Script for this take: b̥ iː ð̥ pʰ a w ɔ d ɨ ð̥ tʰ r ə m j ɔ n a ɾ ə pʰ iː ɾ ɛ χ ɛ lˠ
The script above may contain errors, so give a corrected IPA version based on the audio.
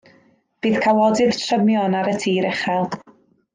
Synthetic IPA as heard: b̥ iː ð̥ kʰ a w ɔ d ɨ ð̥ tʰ r ə m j ɔ n a ɾ ə tʰ iː ɾ ɛ χ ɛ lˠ